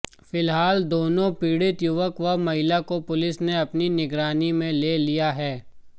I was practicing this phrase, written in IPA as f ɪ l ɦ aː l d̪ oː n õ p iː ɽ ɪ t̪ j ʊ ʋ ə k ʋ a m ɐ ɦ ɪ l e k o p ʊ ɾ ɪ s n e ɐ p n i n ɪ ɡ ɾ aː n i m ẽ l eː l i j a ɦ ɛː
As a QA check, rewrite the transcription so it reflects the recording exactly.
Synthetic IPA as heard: f ɪ l ɦ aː l d̪ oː n õ p iː ɽ ɪ t̪ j ʊ ʋ ə k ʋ ɐ m ɐ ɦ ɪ l a k o p ʊ l ɪ s n e ɐ p n i n ɪ ɡ ɾ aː n i m ẽ l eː l i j a ɦ ɛː